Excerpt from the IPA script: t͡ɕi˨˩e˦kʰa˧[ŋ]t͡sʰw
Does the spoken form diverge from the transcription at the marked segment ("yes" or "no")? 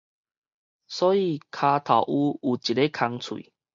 no